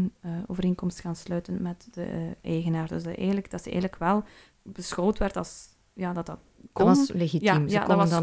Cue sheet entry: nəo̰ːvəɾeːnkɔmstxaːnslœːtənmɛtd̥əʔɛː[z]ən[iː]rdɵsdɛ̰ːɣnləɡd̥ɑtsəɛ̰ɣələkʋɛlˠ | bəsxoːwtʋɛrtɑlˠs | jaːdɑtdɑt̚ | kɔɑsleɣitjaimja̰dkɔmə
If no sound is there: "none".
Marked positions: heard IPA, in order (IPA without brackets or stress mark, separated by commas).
ɣ, aː